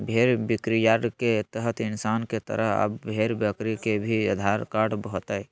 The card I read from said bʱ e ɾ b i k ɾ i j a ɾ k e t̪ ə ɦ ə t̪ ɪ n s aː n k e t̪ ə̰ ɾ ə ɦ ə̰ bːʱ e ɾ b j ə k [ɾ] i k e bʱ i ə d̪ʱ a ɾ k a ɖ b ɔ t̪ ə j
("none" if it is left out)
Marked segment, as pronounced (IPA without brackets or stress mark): ɾ